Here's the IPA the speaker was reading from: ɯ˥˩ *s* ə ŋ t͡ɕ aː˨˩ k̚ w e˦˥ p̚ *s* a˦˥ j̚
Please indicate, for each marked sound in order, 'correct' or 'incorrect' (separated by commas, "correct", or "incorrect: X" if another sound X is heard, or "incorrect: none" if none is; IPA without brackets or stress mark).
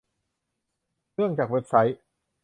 incorrect: none, correct